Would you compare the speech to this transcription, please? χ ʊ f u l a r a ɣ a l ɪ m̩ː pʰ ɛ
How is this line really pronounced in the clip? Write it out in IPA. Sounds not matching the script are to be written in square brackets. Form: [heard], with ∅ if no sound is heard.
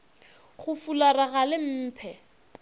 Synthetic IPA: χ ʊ f u l a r a ɣ a l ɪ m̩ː pʰ ɛ